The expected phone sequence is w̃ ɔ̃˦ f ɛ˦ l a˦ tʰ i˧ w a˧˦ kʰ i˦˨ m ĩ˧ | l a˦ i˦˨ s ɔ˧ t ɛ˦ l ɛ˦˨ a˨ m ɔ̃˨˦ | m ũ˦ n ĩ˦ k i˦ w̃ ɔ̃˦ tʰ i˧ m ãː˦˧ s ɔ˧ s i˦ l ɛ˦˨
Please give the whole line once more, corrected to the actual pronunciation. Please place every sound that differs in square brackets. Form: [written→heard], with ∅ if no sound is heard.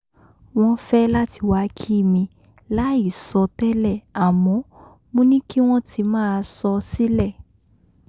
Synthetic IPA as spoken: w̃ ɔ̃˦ f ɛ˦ l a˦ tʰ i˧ w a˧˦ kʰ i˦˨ m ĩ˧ | l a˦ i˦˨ s ɔ˧ t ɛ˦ l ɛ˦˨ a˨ m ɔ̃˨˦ | m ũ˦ n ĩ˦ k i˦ w̃ ɔ̃˦ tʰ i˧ m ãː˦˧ s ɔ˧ s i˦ l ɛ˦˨